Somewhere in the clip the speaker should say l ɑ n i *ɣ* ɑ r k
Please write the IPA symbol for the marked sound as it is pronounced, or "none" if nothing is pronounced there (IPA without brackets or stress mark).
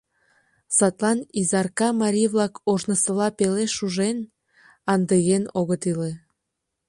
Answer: z